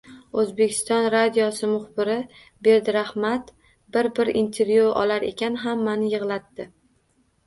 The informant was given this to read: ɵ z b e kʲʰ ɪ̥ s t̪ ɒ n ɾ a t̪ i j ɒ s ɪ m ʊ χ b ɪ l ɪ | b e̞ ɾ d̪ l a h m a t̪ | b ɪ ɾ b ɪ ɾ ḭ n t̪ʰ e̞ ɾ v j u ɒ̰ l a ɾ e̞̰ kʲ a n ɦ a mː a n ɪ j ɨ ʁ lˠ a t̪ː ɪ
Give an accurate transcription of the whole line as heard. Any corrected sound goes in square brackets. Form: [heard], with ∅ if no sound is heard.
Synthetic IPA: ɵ z b e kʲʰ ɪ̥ s t̪ ɒ n ɾ a [d̪] i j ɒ s ɪ m ʊ χ b ɪ [ɾ] ɪ | b e̞ ɾ d̪ [ɾ] a h m a t̪ | b ɪ ɾ b ɪ ɾ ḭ n t̪ʰ e̞ ɾ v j u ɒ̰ l a ɾ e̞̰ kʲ a n ɦ a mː a n ɪ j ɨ ʁ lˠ a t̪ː ɪ